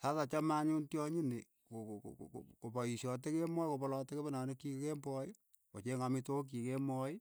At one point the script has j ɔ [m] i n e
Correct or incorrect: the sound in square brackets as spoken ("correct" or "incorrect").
incorrect